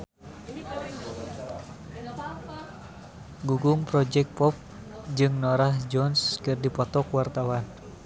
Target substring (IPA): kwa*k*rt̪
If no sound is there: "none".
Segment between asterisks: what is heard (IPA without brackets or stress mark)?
none